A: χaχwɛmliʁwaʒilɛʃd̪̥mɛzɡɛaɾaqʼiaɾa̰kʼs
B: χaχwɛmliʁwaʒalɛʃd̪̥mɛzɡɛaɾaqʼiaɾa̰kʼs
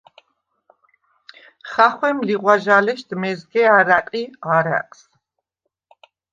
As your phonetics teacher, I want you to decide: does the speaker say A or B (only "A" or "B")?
B